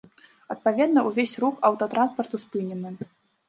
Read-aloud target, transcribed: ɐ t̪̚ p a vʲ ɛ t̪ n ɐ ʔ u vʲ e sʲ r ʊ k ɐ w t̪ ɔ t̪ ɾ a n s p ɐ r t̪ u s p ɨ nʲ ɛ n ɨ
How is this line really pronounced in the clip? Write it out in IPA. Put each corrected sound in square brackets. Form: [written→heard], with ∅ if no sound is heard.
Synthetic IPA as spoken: ɐ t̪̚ p a vʲ ɛ [t̪→d̪] n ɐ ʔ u vʲ e sʲ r [ʊ→u] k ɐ w t̪ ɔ t̪ ɾ a n s p ɐ r t̪ u s p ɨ nʲ ɛ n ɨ